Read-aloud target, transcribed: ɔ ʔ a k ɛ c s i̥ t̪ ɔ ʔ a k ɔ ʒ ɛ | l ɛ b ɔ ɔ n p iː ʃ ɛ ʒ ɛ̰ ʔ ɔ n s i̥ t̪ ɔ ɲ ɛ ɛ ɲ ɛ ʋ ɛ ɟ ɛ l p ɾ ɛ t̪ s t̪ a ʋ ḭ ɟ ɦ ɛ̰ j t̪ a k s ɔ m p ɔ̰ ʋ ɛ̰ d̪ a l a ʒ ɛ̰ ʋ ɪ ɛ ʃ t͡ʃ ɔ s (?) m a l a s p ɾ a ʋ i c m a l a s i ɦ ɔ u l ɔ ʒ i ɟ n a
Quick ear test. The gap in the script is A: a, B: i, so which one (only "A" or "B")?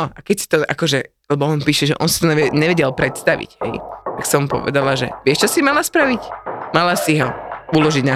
B